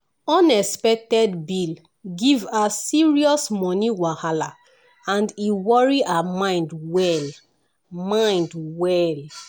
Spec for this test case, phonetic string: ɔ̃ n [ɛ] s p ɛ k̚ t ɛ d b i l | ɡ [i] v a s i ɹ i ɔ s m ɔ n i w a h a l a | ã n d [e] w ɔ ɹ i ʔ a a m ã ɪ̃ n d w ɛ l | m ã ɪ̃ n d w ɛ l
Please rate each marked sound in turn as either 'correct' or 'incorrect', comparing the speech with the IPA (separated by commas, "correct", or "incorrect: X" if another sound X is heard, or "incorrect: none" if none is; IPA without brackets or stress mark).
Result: correct, correct, incorrect: i